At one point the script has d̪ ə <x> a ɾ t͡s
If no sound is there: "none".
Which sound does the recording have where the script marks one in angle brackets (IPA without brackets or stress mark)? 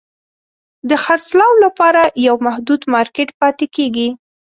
x